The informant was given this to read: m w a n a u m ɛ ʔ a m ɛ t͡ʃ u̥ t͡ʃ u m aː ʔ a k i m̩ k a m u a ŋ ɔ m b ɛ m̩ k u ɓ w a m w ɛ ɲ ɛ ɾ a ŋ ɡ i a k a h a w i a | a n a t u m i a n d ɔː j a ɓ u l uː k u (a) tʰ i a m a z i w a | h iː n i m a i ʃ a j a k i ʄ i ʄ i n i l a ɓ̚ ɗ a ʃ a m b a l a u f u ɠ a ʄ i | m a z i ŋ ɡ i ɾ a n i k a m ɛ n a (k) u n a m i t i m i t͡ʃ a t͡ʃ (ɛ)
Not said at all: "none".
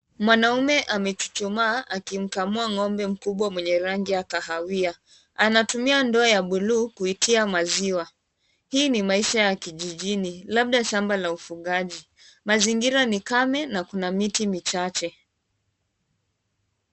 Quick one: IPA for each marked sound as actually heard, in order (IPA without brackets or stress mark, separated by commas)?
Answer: i, k, ɛ